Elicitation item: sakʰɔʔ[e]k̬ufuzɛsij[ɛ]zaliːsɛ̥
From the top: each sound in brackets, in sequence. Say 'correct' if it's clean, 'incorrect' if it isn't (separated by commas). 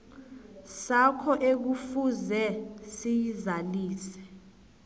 correct, incorrect